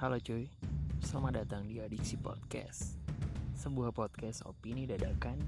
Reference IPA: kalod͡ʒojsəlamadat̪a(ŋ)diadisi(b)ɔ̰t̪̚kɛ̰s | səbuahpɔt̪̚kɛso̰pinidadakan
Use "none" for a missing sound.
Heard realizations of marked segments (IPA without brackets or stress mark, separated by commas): ŋ, p